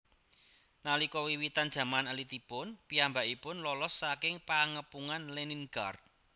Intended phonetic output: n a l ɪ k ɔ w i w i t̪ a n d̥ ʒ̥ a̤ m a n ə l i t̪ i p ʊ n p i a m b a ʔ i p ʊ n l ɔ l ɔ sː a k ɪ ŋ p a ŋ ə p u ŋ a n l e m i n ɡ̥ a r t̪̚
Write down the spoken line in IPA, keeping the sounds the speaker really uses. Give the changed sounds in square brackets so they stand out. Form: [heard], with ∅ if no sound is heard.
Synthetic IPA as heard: n a l [i] k ɔ w i w i t̪ a n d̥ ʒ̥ a̤ m a n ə l i t̪ i p ʊ n p i a m b a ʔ i p ʊ n l ɔ l ɔ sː a k ɪ ŋ p a ŋ ə p u ŋ a n l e [n] i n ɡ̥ a r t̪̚